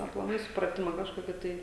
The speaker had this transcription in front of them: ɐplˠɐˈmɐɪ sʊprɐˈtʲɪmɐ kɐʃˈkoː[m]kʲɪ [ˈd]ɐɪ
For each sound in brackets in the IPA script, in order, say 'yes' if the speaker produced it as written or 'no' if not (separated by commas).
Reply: no, no